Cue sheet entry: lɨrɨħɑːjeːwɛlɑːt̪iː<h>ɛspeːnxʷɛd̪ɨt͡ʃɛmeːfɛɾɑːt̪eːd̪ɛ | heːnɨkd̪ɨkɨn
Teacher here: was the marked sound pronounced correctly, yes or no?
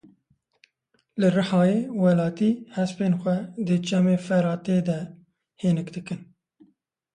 yes